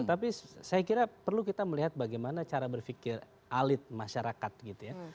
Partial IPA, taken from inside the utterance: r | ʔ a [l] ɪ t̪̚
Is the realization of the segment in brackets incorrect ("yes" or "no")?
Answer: no